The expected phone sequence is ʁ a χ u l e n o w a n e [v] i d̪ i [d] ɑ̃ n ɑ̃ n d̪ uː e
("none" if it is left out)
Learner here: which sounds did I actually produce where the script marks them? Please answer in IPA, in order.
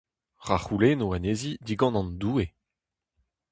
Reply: z, ɡ

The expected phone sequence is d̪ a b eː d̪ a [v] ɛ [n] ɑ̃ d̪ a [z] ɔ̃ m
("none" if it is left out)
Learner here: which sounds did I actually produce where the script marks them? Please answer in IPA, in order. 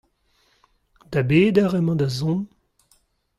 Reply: ʁ, m, z

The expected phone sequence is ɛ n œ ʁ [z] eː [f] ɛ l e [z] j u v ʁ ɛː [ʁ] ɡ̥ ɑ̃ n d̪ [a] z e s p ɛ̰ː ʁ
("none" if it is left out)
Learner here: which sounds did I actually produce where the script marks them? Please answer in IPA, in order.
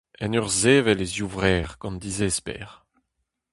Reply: z, v, z, ʁ, i

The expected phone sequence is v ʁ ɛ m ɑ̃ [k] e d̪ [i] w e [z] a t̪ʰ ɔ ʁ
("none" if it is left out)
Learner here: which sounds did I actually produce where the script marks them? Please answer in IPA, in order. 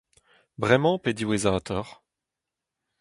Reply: p, i, z

